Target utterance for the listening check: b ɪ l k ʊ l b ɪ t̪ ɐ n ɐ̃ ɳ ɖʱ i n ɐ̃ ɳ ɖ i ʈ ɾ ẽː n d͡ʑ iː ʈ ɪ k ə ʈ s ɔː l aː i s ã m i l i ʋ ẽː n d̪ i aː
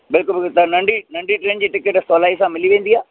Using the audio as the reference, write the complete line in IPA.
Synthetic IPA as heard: b ɪ l k ʊ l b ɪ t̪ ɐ n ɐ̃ ɳ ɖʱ i n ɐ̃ ɳ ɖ i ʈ ɾ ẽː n d͡ʑ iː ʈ ɪ k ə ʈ s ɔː l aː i s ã m ɪ l i ʋ ẽː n d̪ i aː